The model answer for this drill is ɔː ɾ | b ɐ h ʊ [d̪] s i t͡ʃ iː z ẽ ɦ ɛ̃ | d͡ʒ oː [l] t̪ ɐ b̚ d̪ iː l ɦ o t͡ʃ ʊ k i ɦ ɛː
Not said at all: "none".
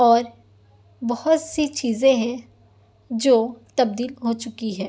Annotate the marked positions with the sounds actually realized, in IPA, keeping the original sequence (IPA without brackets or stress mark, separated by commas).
t̪, none